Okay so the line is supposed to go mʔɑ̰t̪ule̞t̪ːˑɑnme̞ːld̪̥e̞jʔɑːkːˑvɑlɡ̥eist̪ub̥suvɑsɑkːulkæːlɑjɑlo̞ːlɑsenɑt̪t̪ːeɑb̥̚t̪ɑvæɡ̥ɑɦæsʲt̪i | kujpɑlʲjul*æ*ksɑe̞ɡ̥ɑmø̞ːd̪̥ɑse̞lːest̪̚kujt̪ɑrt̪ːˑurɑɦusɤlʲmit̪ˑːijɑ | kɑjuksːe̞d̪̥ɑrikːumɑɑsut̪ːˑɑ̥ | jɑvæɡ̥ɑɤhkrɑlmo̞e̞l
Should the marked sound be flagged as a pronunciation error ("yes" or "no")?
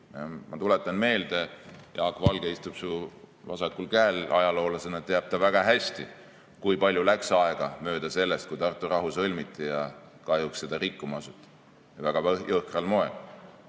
no